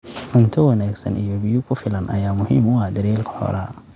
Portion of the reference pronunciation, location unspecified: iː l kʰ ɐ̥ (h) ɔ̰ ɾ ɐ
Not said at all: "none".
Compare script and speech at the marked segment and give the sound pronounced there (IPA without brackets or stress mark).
h